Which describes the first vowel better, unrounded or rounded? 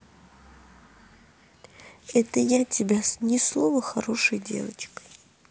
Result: unrounded